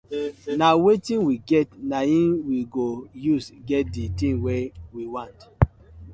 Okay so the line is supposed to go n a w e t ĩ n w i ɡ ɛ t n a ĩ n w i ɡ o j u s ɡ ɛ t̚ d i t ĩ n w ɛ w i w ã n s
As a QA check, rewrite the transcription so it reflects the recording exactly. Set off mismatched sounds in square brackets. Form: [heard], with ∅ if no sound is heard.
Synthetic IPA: n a w e t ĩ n w i ɡ ɛ t n a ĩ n w i ɡ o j u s ɡ ɛ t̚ d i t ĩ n w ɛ w i w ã n [t]